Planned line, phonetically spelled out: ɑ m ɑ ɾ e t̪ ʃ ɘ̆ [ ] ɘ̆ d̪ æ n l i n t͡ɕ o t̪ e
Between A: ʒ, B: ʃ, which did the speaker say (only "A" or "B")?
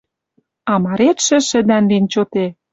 B